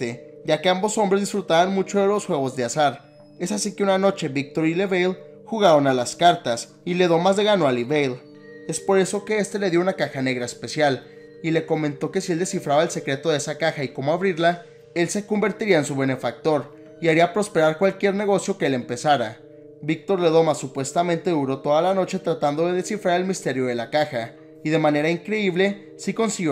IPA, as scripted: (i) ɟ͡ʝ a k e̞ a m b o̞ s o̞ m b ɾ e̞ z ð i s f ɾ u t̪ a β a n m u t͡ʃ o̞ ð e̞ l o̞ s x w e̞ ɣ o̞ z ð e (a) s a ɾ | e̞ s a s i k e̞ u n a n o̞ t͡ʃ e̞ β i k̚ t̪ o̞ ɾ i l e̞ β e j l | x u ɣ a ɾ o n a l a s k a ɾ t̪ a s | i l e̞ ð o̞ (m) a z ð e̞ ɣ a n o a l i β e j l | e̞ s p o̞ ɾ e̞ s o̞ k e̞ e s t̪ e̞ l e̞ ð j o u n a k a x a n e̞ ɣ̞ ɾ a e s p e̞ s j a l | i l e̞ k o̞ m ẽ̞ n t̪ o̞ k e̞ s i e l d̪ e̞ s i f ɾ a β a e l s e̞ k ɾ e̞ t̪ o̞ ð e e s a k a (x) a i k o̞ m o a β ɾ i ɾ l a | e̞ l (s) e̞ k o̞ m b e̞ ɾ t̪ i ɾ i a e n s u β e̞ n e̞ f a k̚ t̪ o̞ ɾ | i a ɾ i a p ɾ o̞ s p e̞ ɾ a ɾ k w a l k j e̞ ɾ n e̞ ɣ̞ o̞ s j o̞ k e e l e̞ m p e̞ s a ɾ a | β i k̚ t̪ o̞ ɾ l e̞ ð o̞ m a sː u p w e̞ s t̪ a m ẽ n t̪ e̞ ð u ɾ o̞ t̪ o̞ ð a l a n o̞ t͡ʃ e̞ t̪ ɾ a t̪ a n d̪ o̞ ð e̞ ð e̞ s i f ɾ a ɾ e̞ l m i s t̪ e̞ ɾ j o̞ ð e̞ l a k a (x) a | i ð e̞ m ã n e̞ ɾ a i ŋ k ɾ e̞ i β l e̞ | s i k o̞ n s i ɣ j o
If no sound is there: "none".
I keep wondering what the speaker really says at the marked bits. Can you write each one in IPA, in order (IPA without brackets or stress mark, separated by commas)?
e, a, m, x, s, x